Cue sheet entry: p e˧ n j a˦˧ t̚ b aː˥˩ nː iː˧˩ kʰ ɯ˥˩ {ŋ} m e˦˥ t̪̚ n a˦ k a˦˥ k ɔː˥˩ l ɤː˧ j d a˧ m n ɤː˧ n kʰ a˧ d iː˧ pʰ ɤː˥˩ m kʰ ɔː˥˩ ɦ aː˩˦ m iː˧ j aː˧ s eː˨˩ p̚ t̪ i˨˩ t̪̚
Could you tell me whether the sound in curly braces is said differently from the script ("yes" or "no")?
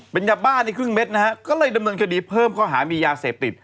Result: no